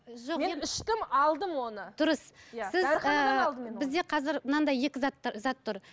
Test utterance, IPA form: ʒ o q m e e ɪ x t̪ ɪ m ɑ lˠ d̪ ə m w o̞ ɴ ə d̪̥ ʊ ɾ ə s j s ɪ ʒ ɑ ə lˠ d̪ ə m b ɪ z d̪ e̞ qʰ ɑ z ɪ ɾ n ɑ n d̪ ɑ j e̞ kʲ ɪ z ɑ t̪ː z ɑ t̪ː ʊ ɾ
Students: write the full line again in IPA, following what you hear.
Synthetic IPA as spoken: ʒ o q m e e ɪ ʃ t̪ ɪ m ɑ lˠ d̪ ə m w o̞ n ə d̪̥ ʊ ɾ ə s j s ɪ z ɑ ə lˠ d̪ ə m b ɪ z d̪ e̞ qʰ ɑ z ɪ ɾ n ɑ n d̪ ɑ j e̞ kʲ ɪ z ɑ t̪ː z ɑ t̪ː ʊ ɾ